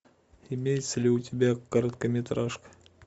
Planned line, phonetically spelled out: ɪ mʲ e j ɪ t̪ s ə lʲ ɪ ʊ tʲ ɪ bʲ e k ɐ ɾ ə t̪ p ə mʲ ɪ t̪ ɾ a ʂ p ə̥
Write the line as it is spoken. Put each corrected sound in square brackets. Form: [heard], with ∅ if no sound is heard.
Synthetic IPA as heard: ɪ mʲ e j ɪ t̪ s ə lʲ ɪ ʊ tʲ ɪ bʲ [æ] k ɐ ɾ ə t̪ [k] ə mʲ ɪ t̪ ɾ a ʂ [k] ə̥